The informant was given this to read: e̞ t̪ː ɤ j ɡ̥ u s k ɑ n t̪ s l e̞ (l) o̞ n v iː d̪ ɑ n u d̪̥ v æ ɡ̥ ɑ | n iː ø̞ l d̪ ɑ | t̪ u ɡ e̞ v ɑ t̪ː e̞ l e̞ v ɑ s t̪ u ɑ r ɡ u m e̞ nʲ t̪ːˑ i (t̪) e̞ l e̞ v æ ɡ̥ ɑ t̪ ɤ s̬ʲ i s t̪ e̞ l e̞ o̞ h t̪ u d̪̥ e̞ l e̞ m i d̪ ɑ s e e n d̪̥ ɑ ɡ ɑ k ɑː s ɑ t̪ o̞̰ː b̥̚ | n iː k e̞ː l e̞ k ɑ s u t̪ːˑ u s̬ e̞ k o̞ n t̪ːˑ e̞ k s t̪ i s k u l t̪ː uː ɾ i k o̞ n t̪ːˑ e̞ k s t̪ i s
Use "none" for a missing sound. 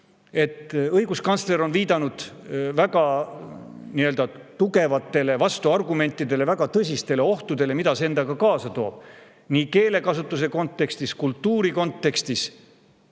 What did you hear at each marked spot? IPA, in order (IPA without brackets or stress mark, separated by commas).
ɾ, d̪